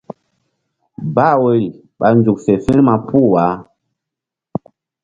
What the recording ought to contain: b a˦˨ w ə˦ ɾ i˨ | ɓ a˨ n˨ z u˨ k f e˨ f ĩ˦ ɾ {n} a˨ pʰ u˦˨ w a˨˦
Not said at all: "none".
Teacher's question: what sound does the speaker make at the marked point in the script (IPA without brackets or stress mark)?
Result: m